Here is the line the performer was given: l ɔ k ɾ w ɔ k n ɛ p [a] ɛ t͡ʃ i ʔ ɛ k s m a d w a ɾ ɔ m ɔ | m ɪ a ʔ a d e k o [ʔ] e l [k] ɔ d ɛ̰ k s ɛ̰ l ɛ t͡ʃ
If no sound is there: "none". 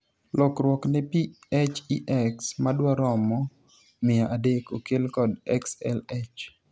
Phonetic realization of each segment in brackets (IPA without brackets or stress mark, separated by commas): i, k, k